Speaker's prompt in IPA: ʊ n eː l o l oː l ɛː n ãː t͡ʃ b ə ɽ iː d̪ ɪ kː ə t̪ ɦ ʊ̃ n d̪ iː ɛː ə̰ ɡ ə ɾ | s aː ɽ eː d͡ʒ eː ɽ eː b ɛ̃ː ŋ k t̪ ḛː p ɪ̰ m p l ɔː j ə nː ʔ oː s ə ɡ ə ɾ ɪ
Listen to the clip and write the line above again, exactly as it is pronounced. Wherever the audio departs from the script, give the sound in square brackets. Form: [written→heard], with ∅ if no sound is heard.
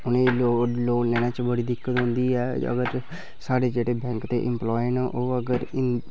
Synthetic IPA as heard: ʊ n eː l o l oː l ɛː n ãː t͡ʃ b ə ɽ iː d̪ ɪ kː ə t̪ ɦ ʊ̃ n d̪ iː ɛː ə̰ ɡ ə ɾ | s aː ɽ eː d͡ʒ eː ɽ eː b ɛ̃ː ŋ k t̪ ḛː [p→ʔ] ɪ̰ m p l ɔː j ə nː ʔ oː [s→∅] ə ɡ ə ɾ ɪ